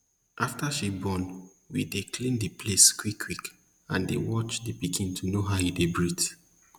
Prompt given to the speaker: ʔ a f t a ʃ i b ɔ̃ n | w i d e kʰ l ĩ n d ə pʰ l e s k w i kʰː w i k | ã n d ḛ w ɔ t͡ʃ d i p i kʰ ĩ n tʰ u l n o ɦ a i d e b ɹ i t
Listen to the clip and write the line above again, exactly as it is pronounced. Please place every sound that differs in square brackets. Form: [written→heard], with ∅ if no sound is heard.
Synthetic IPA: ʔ a f t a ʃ i b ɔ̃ n | w i d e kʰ l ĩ n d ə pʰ l e s k w i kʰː w i k | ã n d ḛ w ɔ t͡ʃ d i p i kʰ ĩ n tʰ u [l→∅] n o ɦ a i d e b ɹ i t